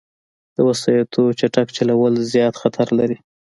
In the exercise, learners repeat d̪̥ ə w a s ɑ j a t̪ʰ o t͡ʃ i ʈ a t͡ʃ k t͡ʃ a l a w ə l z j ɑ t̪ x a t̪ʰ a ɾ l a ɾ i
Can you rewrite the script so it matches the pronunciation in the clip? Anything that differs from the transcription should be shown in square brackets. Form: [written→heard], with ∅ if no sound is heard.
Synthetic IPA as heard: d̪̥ ə w a s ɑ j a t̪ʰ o t͡ʃ [i→a] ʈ a [t͡ʃ→∅] k t͡ʃ a l a w ə l z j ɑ t̪ x a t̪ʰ a ɾ l a ɾ i